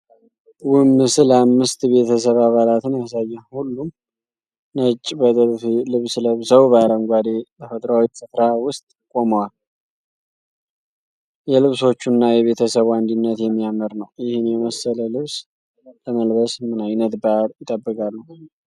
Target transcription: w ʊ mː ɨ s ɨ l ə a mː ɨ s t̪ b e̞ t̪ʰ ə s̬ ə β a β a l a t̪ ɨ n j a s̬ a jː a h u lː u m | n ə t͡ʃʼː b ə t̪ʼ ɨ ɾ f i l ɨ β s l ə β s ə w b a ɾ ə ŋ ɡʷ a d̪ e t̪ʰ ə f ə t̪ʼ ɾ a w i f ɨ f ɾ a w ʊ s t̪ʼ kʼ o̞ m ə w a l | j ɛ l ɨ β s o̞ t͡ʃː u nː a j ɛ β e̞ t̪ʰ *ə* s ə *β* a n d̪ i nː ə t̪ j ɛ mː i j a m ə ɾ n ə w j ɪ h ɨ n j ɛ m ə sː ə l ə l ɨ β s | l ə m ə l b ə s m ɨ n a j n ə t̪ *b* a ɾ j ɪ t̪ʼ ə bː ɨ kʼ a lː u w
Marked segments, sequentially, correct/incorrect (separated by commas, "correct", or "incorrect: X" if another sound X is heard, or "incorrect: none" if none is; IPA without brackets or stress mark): correct, correct, correct